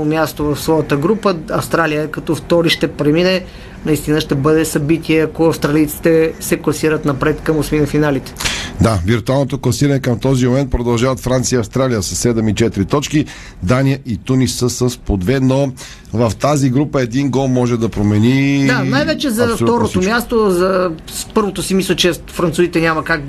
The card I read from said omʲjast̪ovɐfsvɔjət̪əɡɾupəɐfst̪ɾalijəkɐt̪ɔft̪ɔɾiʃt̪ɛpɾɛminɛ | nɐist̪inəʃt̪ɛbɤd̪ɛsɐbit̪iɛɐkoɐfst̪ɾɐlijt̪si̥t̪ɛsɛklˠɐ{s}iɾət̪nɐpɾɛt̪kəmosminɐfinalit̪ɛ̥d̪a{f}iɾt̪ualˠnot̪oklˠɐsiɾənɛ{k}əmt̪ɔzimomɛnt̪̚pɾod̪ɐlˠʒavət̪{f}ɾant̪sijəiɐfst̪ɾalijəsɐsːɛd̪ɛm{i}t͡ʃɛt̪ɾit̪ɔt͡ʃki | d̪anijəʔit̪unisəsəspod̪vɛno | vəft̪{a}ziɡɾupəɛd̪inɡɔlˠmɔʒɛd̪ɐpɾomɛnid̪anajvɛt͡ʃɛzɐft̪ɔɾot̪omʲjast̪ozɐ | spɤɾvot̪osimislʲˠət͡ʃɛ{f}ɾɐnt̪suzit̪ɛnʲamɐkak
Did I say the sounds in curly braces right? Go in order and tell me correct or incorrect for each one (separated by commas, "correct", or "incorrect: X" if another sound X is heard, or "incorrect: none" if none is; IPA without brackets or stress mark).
correct, incorrect: v, correct, correct, correct, correct, correct